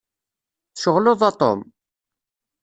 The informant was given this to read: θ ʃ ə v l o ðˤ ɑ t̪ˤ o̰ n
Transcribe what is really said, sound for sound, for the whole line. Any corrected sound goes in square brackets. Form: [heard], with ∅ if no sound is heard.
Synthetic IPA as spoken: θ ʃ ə [ʁ] l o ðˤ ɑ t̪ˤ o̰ [m]

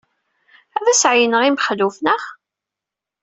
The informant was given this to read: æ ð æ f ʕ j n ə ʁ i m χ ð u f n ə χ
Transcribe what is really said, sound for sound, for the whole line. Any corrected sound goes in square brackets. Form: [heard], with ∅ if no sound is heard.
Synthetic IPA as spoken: æ ð æ [s] ʕ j n ə ʁ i m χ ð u f n ə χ

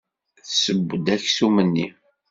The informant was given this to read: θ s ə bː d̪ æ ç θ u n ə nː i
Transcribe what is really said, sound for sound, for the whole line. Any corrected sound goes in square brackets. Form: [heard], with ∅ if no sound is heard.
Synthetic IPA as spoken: θ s ə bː d̪ æ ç [s] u [m] ə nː i

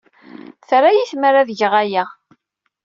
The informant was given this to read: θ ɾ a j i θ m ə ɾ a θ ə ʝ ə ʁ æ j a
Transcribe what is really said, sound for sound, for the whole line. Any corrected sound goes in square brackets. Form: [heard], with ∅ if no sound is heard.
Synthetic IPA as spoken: θ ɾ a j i θ m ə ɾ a [ð] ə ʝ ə ʁ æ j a

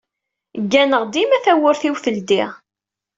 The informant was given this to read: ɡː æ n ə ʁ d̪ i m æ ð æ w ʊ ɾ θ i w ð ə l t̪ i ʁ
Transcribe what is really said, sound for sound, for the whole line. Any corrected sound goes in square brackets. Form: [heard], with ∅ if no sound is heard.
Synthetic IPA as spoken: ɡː æ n ə ʁ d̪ i m æ [θ] æ w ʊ ɾ θ i w [θ] ə l [d̪] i ʁ

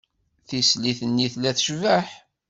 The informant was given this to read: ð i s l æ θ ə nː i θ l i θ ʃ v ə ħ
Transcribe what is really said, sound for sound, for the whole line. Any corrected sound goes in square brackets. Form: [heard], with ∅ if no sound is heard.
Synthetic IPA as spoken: [θ] i s l [i] θ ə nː i θ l [æ] θ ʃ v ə ħ

